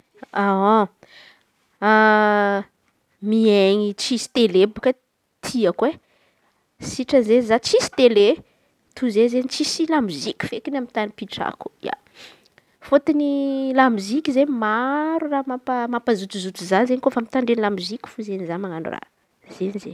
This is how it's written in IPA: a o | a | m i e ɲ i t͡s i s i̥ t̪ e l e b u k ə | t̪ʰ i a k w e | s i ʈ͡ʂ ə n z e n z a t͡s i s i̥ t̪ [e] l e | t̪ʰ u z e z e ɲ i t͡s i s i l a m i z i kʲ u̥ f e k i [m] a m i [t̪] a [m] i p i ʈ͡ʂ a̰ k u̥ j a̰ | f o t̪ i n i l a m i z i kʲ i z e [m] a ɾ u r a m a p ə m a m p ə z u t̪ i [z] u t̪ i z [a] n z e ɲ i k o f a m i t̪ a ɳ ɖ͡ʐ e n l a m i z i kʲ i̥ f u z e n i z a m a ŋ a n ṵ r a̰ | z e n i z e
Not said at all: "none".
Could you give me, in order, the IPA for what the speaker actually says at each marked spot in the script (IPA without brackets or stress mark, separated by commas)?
e, n, t̪, n, m, z, a